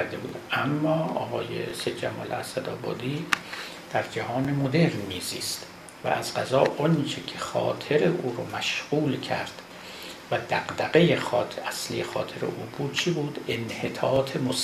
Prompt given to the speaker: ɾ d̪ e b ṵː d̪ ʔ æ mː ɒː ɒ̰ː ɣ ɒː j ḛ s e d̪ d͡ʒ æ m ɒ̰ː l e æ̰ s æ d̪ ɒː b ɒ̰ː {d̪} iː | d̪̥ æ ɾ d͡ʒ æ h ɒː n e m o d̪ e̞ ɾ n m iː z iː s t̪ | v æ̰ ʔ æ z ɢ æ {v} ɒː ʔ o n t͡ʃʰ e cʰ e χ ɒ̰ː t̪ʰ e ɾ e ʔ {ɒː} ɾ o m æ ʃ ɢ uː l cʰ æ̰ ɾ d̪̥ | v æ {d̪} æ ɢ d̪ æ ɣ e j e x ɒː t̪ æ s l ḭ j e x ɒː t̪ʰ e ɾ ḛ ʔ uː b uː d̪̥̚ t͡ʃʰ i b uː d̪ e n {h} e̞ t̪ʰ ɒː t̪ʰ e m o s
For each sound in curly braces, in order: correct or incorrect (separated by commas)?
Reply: correct, incorrect, incorrect, correct, correct